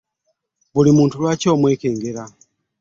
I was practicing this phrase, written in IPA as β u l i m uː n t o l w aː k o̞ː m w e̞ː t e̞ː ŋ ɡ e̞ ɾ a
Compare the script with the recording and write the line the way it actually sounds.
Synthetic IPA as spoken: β u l i m uː n t u l w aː c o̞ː m w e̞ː k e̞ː ŋ ɡ e̞ ɾ a